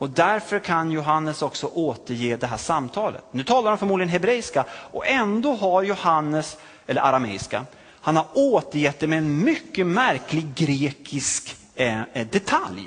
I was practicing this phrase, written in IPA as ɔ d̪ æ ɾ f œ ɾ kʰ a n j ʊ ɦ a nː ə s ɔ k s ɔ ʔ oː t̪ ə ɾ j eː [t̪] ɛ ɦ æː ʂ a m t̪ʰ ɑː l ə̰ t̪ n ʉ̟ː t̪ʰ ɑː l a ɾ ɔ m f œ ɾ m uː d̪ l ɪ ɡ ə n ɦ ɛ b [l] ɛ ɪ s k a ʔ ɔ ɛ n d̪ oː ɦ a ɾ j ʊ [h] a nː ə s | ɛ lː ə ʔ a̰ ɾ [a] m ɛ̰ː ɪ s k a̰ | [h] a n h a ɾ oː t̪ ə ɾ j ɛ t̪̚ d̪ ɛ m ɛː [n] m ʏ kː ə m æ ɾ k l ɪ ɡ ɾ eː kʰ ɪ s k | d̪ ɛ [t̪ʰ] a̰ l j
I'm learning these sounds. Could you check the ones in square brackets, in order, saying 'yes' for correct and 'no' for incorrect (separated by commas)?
no, no, yes, yes, yes, yes, yes